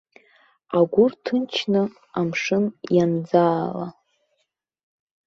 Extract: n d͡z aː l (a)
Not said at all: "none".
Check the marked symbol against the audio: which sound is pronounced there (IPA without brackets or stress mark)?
a